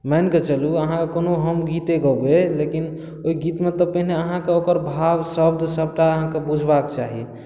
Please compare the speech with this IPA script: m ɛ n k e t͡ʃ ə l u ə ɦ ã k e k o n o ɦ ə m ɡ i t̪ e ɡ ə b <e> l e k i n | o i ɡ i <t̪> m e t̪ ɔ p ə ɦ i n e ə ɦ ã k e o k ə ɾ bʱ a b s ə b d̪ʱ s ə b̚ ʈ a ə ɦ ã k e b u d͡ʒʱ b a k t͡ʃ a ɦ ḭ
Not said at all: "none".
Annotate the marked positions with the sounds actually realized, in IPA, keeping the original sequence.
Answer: e, t̪

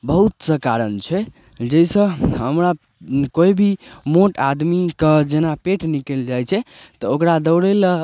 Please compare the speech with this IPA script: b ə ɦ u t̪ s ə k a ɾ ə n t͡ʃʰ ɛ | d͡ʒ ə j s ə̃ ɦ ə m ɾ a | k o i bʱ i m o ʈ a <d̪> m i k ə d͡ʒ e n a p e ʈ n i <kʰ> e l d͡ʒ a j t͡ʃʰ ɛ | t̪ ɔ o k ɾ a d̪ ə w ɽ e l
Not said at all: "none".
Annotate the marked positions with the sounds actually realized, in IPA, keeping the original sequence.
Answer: d̪, k

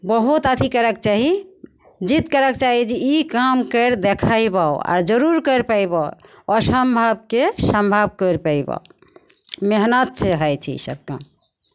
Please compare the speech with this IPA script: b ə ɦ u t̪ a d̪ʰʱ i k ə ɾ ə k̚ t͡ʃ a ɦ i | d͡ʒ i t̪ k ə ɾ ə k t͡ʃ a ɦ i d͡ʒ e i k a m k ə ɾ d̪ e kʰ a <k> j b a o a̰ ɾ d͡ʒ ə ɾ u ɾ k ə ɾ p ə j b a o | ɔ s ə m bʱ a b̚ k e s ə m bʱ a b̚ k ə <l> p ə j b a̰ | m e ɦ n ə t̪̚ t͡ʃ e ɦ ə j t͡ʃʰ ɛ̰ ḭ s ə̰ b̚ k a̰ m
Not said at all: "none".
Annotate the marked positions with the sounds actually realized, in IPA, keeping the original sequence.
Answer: none, ɾ

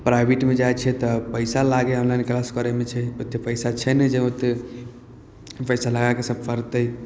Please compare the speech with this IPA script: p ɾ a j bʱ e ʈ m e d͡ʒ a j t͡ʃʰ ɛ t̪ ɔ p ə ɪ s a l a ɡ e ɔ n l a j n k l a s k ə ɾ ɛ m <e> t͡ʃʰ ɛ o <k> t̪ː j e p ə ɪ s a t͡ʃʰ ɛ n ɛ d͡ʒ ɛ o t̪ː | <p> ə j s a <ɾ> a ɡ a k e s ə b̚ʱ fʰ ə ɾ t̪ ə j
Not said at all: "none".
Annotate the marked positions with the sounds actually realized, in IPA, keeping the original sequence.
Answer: e, none, p, l

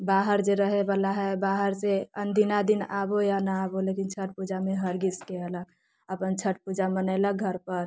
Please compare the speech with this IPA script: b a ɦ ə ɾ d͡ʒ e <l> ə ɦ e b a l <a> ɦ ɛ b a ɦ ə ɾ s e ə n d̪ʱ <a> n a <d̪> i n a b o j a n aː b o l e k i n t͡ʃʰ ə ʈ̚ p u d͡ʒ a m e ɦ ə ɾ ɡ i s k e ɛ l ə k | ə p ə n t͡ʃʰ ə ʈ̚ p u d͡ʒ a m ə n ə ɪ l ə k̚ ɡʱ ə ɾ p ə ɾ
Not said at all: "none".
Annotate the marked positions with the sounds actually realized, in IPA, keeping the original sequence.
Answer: ɾ, a, i, d̪

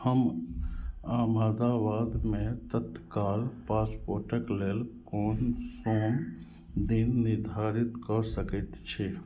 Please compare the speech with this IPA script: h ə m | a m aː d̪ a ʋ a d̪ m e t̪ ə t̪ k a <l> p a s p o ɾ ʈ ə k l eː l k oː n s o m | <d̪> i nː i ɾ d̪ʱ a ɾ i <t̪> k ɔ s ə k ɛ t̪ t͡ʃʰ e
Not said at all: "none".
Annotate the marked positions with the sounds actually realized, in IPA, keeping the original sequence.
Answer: l, d̪, t̪

